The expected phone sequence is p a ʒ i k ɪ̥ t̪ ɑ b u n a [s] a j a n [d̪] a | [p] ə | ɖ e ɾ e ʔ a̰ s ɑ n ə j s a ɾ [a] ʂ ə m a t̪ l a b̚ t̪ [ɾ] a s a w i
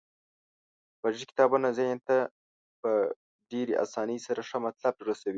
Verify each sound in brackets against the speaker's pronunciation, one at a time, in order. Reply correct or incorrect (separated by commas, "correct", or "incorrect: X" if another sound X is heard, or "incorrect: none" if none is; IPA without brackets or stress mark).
incorrect: z, incorrect: t̪, correct, correct, correct